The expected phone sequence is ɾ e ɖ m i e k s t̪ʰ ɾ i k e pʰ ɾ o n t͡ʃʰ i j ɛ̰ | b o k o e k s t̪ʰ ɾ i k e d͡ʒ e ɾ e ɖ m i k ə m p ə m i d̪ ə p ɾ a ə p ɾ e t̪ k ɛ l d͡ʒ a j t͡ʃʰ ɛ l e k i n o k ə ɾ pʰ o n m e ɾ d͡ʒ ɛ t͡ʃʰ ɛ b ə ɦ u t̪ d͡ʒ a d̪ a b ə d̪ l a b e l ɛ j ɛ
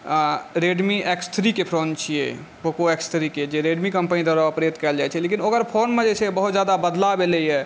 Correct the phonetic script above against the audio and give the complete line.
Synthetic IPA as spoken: ɾ e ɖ m i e k s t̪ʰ ɾ i k e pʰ ɾ o n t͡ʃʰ i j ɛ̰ | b o k o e k s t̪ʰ ɾ i k e d͡ʒ e ɾ e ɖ m i k ə m p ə n i d̪ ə ɾ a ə p ɾ e t̪ k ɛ l d͡ʒ a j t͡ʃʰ ɛ l e k i n o k ə ɾ pʰ o n m e d͡ʒ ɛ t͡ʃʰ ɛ b ə ɦ u t̪ d͡ʒ a d̪ a b ə d̪ l a b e l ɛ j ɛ